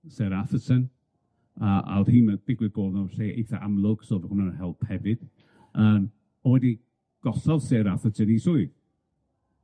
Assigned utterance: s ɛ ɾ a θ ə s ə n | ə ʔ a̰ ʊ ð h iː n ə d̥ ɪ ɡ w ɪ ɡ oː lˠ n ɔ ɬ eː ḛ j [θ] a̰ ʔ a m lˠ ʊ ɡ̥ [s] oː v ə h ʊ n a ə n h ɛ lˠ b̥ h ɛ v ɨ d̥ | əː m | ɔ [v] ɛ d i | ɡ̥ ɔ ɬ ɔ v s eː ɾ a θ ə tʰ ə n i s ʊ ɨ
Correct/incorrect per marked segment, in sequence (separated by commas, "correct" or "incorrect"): correct, correct, incorrect